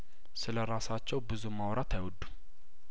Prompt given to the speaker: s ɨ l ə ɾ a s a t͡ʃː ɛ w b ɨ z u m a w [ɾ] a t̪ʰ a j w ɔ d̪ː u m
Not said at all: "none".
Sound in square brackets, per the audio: ɾ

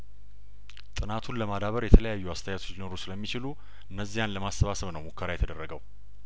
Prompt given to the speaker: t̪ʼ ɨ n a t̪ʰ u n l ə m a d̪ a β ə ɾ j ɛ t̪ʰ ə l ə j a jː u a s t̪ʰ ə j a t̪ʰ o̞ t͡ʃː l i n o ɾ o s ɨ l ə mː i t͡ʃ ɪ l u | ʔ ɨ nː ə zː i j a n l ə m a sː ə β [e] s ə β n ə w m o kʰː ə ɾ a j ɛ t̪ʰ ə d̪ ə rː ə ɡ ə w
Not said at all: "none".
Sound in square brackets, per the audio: a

